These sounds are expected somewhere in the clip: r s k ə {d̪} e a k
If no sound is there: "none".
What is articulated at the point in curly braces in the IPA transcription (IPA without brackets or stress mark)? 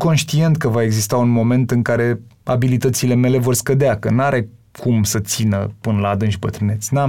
d̪